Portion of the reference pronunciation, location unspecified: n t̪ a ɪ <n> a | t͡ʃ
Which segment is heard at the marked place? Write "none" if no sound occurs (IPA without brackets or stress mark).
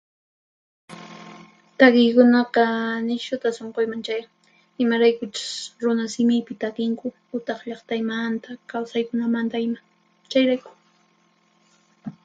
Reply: m